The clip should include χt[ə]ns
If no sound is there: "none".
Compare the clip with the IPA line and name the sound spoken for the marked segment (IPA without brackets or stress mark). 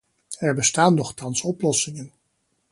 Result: ɑ